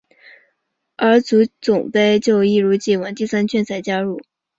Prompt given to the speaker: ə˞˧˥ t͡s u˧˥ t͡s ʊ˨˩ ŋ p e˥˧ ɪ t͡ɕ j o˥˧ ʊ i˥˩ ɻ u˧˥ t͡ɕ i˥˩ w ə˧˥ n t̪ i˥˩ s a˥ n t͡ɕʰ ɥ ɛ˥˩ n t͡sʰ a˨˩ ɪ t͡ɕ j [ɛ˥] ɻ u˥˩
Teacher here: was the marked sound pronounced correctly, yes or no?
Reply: no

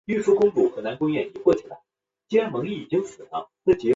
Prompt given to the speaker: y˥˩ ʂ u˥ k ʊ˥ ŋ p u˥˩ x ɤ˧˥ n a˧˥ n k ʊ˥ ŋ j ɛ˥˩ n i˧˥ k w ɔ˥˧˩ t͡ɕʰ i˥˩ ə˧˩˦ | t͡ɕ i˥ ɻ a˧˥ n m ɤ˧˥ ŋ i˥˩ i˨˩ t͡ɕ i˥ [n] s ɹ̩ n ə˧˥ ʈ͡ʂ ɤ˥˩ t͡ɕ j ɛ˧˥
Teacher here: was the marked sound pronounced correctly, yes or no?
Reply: no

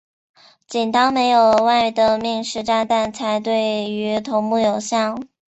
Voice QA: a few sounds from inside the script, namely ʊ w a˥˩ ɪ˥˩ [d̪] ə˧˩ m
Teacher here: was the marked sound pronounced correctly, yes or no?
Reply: yes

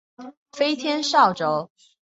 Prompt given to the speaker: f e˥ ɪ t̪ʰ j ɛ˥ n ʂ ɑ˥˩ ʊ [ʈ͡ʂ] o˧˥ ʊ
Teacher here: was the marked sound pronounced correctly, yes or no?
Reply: yes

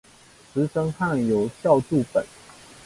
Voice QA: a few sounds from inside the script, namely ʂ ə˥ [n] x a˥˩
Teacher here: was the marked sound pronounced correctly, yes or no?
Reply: no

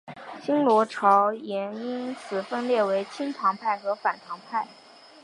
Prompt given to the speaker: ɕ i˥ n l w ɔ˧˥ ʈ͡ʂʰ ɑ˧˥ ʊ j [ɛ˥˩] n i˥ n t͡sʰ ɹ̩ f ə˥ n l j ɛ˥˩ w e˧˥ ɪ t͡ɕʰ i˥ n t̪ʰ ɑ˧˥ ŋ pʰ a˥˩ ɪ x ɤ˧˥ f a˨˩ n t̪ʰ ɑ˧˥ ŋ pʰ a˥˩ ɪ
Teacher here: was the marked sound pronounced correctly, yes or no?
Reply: no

